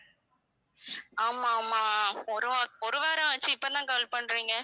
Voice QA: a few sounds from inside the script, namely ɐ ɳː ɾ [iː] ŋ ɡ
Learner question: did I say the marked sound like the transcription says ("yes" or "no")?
yes